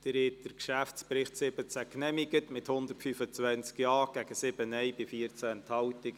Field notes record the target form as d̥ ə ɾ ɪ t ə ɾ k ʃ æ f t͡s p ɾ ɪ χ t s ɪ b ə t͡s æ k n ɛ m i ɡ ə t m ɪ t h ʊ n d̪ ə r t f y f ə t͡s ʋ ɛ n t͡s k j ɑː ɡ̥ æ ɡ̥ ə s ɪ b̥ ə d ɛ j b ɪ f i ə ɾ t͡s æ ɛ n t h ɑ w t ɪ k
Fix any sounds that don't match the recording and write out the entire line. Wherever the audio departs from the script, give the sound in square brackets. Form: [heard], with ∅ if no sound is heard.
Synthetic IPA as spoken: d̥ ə ɾ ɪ t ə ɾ k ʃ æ f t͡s p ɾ ɪ χ t s ɪ b ə t͡s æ k n ɛ m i ɡ ə t m ɪ t h ʊ n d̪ ə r t f y f ə t͡s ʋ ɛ n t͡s k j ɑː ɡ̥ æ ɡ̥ ə s ɪ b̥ ə [n] ɛ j b ɪ f i ə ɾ t͡s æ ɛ n t h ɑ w t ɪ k